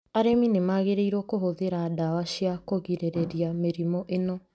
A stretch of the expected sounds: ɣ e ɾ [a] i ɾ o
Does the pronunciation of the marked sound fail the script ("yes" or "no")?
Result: yes